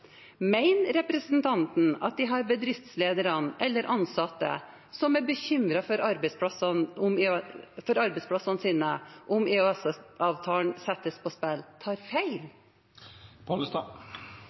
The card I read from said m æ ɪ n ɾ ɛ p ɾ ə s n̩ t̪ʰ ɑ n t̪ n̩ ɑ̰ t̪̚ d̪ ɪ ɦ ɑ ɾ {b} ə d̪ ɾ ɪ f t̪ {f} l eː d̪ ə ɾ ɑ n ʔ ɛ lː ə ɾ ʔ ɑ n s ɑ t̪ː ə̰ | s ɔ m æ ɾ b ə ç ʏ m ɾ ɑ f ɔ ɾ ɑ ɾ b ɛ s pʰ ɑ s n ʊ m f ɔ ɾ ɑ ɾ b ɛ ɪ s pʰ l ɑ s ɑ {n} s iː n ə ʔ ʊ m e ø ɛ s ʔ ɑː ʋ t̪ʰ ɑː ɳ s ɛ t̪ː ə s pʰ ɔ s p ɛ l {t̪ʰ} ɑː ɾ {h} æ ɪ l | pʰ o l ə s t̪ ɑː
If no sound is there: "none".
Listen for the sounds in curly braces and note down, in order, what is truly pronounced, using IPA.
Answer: b, s, n, t̪ʰ, f

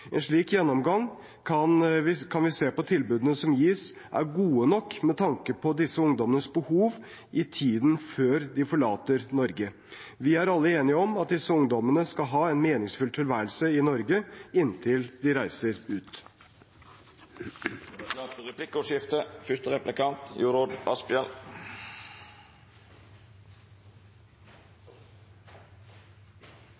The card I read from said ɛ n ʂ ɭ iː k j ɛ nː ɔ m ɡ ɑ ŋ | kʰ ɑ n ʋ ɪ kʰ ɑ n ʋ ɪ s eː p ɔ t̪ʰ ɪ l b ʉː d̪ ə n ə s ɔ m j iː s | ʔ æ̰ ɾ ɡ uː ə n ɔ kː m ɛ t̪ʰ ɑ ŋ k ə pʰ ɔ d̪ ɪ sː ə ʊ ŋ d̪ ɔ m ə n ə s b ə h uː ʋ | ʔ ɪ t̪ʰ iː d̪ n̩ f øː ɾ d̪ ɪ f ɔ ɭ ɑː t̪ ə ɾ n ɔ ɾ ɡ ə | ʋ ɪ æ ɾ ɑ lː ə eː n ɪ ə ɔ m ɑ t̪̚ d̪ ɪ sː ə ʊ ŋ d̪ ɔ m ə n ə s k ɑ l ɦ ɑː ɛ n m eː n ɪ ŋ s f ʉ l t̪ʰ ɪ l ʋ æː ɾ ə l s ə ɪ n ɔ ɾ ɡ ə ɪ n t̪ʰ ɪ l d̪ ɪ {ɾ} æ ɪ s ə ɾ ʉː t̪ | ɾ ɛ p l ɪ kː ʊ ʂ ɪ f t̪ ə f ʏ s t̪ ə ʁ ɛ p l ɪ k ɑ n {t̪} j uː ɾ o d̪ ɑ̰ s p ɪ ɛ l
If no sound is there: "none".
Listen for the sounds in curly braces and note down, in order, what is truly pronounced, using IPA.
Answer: ɾ, t̪

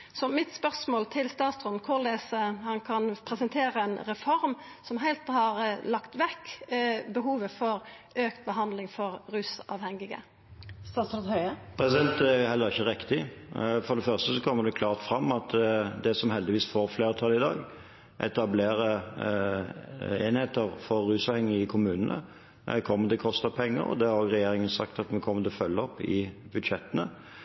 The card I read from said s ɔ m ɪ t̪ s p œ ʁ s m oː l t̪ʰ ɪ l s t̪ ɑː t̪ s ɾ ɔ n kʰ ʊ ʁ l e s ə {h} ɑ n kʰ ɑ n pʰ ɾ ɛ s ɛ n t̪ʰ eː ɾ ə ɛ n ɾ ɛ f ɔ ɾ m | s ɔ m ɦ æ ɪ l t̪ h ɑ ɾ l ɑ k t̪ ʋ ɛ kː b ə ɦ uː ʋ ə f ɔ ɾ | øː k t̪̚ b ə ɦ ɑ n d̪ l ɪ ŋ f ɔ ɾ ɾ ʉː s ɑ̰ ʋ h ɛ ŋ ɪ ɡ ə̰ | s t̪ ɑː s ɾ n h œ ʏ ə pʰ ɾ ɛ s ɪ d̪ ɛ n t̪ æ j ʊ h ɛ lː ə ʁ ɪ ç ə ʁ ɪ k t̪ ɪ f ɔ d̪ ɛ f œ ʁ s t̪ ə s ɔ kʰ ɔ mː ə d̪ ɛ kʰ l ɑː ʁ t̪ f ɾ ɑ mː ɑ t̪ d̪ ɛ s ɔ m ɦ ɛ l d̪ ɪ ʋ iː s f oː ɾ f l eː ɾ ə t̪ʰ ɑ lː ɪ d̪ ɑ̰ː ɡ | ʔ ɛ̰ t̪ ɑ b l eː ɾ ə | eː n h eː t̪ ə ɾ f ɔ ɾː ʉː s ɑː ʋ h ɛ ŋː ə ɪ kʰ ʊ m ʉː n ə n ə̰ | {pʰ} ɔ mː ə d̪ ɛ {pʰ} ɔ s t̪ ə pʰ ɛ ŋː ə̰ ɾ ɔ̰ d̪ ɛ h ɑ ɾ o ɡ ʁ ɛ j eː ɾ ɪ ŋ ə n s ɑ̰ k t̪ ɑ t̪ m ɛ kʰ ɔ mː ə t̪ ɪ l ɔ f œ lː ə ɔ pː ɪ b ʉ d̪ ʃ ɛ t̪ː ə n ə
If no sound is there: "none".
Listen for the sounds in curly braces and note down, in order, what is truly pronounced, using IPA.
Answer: h, kʰ, kʰ

